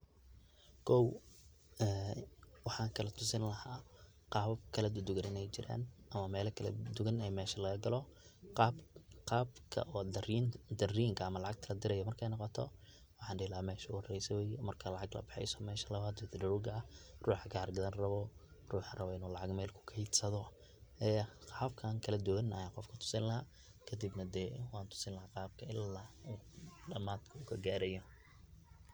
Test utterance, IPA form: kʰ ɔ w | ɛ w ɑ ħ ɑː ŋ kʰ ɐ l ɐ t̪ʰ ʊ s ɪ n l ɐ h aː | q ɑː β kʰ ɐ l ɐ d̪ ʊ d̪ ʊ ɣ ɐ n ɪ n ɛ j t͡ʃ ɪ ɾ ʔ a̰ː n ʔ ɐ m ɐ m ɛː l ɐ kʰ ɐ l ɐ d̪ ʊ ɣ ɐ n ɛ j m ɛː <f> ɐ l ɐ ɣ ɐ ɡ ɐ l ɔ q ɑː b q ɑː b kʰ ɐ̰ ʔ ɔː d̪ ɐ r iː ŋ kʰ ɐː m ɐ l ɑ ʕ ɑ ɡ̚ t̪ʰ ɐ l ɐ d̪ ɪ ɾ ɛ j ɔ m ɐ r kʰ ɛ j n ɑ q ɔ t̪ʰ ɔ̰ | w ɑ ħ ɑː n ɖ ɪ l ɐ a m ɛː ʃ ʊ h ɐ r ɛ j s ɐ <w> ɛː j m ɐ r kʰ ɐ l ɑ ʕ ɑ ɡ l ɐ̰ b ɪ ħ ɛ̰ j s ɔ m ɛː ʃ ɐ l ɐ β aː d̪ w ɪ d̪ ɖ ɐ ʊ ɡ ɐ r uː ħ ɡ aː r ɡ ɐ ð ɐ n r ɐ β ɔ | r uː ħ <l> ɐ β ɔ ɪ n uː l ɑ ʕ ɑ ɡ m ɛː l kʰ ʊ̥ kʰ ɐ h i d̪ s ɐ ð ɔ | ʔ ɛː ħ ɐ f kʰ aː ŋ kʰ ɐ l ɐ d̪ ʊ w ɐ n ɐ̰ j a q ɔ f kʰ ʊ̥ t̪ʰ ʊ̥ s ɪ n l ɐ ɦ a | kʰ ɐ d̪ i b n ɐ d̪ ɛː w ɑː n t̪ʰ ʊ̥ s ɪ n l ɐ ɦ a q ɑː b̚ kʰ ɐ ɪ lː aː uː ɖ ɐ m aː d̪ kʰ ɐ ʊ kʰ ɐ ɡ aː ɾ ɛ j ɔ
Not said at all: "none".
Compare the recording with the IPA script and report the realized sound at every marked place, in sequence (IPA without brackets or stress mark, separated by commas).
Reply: ʃ, w, r